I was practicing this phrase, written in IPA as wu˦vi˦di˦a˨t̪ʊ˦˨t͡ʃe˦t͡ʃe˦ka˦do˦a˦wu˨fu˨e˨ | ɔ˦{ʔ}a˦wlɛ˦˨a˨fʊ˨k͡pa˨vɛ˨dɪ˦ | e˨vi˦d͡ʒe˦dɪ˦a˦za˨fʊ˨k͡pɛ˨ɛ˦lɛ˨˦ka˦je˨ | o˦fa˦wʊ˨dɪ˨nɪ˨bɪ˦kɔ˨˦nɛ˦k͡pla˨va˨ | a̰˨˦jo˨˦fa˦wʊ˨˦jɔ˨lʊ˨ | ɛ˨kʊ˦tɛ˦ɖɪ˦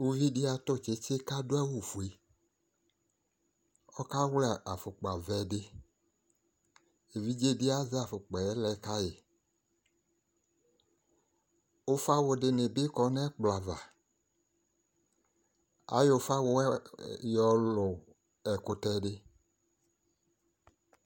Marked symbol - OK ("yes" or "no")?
no